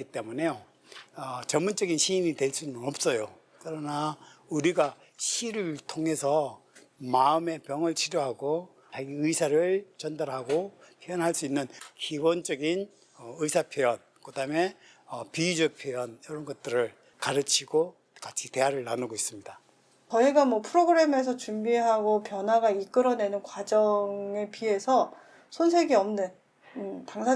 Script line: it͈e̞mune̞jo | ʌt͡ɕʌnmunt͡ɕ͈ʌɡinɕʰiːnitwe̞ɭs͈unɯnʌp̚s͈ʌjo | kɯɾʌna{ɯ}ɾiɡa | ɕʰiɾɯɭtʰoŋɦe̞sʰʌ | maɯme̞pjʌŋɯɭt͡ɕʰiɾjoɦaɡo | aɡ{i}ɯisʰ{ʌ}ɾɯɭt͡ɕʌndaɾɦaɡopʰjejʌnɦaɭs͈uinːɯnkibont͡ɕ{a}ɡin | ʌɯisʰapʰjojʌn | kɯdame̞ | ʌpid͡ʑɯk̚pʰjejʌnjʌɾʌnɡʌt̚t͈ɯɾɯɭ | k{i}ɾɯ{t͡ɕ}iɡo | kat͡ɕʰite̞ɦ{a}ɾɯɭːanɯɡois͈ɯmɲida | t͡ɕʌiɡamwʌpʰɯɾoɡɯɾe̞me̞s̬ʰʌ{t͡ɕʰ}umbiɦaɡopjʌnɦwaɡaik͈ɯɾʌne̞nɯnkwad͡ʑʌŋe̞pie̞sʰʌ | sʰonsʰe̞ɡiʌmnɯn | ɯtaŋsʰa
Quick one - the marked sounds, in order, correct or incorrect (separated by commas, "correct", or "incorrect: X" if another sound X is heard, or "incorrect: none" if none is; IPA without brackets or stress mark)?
incorrect: u, correct, incorrect: a, incorrect: ʌ, incorrect: a, incorrect: t͡ɕʰ, correct, incorrect: t͡ɕ